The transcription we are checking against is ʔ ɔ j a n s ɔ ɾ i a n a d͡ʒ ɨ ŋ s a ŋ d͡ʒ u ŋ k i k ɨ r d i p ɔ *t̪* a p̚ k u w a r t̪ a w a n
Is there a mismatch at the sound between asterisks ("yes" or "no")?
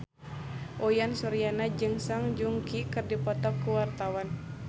no